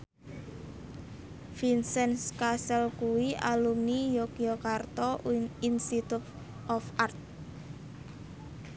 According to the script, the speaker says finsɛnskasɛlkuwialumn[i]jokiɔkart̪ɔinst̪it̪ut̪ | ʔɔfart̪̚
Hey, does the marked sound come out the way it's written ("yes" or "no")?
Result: yes